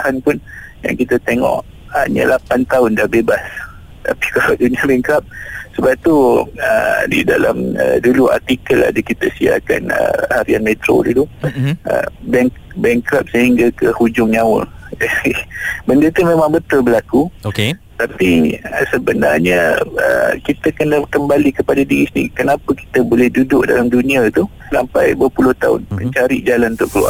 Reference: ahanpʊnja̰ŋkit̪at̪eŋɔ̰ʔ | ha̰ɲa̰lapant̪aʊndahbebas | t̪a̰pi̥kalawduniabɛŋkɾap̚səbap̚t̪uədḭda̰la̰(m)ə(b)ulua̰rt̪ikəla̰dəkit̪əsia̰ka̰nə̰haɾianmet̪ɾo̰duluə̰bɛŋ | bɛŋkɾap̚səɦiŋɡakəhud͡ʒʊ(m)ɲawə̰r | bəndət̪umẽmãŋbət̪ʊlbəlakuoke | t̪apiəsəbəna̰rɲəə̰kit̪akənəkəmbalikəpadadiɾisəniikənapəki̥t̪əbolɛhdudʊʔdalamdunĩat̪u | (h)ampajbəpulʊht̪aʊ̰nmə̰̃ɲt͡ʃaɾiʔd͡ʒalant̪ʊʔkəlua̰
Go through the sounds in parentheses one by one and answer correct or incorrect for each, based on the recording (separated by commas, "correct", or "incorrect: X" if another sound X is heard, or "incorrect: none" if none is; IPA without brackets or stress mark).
correct, incorrect: d, incorrect: ŋ, incorrect: s